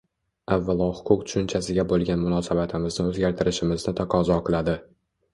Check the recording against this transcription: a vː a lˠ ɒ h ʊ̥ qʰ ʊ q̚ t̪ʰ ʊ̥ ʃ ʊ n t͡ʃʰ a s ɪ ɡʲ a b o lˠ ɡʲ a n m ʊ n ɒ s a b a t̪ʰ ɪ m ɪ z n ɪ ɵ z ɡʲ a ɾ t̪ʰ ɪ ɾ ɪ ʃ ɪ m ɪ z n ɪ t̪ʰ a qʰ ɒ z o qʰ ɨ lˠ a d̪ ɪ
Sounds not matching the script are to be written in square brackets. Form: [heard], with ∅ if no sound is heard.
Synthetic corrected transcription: a vː a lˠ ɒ h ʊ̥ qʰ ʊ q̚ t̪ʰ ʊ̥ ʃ ʊ n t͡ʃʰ a s ɪ ɡʲ a b o lˠ ɡʲ a n m ʊ n ɒ s a b a t̪ʰ ɪ m ɪ z n ɪ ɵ z ɡʲ a ɾ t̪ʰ ɪ ɾ ɪ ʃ ɪ m ɪ z n ɪ t̪ʰ a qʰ ɒ z [ɒ] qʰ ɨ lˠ a d̪ ɪ